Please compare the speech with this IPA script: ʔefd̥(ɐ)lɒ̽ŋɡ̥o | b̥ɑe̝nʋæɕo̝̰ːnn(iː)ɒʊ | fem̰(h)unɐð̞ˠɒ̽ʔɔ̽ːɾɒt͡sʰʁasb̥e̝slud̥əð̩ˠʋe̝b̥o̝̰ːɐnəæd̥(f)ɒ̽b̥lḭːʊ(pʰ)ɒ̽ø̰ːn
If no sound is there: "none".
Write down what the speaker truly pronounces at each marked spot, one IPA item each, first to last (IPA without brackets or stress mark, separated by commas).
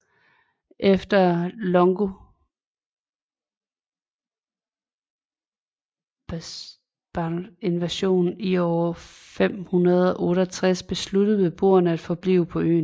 ɐ, i, h, f, pʰ